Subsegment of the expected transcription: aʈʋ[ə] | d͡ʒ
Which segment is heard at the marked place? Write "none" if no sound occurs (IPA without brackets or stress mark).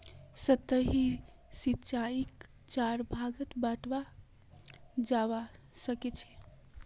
a